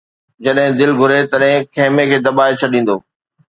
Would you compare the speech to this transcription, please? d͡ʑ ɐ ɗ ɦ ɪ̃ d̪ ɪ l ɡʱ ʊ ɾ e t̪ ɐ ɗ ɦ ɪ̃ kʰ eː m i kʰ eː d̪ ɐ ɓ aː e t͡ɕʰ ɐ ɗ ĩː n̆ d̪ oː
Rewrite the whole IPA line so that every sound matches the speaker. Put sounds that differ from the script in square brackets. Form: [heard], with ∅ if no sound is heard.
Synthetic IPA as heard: d͡ʑ ɐ ɗ ɦ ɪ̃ d̪ ɪ l ɡʱ ʊ ɾ e t̪ ɐ ɗ ɦ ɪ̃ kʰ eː m [e] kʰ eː d̪ ɐ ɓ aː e t͡ɕʰ ɐ ɗ ĩː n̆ d̪ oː